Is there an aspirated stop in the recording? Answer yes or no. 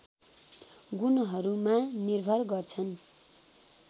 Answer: yes